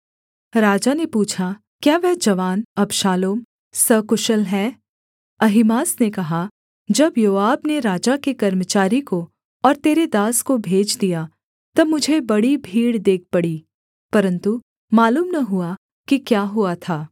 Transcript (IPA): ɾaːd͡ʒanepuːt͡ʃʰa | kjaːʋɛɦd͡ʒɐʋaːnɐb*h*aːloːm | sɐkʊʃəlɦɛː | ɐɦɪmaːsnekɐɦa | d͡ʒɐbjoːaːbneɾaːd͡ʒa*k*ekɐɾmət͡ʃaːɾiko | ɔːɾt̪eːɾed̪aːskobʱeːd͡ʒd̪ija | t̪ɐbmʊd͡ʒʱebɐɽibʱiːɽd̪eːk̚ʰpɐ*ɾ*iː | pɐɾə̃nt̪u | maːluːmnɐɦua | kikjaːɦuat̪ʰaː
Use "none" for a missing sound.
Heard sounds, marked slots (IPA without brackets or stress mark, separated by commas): ʃ, k, ɽ